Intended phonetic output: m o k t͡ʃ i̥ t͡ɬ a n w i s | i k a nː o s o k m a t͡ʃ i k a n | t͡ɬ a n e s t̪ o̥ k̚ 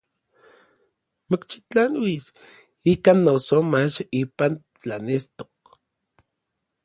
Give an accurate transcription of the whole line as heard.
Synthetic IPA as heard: m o k t͡ʃ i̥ t͡ɬ a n w i s | i k a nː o s o m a t͡ʃ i p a n | t͡ɬ a n e s t̪ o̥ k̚